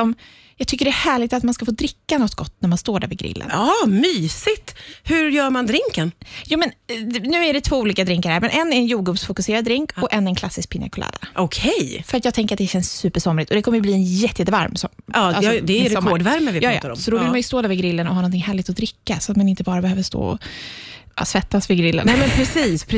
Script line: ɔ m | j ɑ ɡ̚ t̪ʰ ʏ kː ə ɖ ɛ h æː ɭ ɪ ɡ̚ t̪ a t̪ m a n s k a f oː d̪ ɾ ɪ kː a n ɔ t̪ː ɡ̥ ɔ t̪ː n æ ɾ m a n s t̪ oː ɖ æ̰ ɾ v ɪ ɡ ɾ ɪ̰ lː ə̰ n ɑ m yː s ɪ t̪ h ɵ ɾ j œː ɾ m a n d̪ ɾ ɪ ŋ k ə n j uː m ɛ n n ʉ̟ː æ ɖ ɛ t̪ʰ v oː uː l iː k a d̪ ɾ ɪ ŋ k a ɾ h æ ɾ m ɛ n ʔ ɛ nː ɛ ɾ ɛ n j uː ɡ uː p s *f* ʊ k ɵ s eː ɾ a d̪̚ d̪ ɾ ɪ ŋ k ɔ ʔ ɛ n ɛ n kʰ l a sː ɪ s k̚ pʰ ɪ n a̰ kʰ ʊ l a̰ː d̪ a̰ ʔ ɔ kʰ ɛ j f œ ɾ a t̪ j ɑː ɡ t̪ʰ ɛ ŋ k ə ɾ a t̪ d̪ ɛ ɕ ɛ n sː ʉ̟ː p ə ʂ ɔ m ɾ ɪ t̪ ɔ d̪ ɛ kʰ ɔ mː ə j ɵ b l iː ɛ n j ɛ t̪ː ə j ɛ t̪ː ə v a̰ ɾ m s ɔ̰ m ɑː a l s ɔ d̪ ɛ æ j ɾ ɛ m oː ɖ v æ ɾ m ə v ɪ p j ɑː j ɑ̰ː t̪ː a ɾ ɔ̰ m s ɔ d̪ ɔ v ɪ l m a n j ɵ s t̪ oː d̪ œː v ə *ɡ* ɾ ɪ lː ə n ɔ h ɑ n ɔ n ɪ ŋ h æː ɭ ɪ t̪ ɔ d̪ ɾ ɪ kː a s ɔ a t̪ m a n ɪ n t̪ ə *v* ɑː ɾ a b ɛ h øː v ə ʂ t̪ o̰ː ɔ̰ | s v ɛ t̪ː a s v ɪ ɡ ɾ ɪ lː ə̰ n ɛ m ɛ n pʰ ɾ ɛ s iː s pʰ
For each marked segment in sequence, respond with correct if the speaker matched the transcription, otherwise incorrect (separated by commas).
correct, correct, incorrect